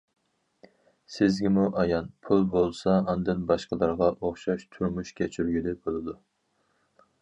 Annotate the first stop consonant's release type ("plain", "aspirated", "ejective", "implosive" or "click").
plain